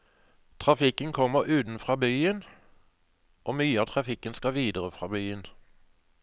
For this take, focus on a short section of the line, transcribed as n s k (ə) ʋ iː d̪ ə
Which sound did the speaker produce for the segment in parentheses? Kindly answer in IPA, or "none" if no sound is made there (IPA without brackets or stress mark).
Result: ɑ